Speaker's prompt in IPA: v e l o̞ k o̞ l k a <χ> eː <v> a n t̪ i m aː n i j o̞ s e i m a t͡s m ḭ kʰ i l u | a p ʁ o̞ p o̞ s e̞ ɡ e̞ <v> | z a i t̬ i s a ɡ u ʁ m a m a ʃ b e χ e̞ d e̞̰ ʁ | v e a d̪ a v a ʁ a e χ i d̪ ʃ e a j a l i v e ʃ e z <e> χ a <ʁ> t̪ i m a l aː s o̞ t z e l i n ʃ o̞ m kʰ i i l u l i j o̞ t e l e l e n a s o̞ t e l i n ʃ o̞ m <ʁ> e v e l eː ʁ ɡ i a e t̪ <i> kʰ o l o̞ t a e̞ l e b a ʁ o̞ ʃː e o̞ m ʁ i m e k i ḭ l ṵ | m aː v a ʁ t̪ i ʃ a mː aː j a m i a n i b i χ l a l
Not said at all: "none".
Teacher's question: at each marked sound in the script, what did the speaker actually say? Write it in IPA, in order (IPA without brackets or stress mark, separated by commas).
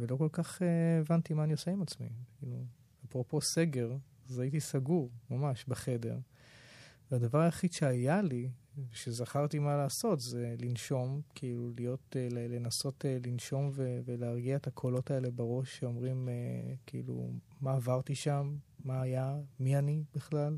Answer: χ, v, ʁ, a, ʁ, v, a